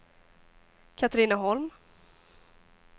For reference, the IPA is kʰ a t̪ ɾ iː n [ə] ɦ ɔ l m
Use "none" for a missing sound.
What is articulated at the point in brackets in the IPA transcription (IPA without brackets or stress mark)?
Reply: a